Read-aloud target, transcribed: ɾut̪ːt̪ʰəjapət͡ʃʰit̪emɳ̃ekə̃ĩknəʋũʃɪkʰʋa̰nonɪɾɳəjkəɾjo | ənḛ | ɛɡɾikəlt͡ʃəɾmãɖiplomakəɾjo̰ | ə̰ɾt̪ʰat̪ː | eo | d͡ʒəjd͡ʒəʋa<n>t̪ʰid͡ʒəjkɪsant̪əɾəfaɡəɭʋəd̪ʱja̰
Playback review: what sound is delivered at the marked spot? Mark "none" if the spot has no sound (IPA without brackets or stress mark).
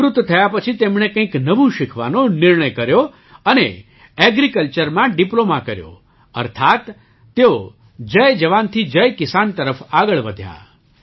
n